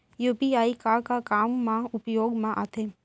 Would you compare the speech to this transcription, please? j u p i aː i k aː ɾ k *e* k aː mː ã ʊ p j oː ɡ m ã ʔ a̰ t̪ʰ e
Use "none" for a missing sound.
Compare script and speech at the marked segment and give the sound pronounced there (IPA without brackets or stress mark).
a